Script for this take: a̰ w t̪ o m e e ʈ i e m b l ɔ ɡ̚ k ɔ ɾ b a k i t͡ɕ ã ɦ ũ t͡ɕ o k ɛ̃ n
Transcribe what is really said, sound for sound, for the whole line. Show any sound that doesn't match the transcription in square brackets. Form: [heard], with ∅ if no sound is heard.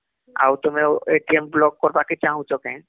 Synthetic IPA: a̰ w t̪ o m e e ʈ i e m b l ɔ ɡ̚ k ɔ ɾ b a k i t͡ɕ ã ɦ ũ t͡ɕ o k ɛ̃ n